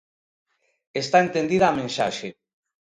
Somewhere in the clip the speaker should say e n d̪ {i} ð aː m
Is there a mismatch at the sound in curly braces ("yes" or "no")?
no